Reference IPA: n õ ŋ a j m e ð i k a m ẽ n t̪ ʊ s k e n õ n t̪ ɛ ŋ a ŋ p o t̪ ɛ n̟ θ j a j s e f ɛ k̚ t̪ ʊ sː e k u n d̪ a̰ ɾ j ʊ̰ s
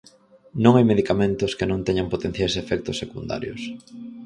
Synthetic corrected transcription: n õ ŋ a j m e ð i k a m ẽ n t̪ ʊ s k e n õ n t̪ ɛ ɲ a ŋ p o t̪ e n̟ θ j a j s e f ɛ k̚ t̪ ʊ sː e k u n d̪ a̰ ɾ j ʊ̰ s